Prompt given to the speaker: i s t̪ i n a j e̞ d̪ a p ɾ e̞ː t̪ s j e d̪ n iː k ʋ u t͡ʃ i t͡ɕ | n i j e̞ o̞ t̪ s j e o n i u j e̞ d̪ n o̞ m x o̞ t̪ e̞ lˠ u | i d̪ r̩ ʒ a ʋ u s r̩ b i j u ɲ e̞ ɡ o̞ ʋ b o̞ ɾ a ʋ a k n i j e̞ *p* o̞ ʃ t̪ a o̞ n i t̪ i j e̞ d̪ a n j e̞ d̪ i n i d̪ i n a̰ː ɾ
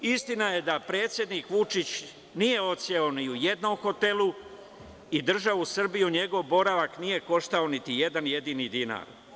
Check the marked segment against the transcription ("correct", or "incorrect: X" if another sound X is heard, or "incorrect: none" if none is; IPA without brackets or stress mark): incorrect: k